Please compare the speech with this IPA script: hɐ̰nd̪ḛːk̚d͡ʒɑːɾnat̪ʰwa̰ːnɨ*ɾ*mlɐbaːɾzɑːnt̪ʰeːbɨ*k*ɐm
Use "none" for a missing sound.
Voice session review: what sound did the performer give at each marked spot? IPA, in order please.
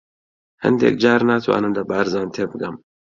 none, ɡ

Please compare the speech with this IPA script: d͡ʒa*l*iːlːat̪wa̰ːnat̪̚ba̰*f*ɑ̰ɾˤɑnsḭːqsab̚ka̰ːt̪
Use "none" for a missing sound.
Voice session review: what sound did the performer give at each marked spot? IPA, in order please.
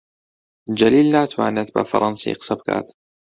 l, f

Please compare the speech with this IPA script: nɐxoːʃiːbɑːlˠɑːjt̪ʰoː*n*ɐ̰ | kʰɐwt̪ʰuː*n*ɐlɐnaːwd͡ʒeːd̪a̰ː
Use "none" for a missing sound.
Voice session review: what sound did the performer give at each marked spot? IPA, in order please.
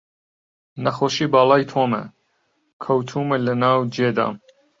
m, m

